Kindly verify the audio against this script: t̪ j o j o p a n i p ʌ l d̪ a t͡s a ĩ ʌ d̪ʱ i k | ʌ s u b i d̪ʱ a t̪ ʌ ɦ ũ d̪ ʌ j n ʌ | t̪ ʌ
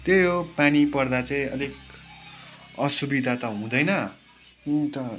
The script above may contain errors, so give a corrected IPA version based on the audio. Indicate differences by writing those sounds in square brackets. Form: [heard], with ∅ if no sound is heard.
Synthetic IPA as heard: t̪ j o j o p a n i p ʌ [r] d̪ a t͡s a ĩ ʌ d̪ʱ i k | ʌ s u b i d̪ʱ a t̪ ʌ ɦ ũ d̪ ʌ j n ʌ | t̪ ʌ